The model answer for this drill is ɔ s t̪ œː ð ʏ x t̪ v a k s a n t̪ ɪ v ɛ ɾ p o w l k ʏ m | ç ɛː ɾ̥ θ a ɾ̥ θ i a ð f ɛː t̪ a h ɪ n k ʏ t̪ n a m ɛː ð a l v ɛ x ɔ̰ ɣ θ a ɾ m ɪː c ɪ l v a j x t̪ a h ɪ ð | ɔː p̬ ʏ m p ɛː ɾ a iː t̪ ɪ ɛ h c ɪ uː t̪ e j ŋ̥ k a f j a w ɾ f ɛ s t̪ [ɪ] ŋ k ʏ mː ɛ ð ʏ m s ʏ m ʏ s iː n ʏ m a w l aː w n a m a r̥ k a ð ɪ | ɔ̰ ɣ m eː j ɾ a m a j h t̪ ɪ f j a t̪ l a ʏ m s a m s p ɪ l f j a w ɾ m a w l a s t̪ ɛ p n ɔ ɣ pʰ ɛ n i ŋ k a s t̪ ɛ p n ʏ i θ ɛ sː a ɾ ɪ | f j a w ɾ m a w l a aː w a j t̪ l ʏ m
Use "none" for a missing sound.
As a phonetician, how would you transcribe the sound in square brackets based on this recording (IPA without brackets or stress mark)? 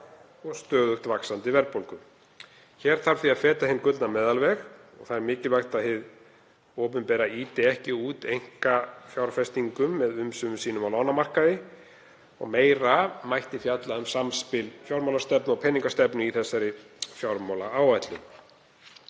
i